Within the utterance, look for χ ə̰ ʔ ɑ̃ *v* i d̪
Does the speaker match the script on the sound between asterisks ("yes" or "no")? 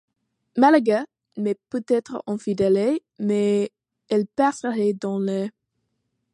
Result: no